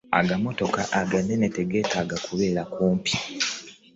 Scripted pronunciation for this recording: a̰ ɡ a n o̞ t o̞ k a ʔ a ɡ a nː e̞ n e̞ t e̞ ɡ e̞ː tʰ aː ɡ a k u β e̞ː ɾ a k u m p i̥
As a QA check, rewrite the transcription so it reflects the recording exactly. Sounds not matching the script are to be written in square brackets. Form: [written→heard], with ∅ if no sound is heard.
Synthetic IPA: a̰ ɡ a [n→m] o̞ t o̞ k a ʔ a ɡ a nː e̞ n e̞ t e̞ ɡ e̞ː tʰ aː ɡ a k u β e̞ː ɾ a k [u→uː] m p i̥